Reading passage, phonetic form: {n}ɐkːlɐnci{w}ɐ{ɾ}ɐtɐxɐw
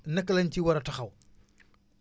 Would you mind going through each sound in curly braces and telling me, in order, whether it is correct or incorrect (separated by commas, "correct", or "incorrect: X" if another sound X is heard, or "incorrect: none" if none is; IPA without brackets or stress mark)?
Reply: correct, correct, correct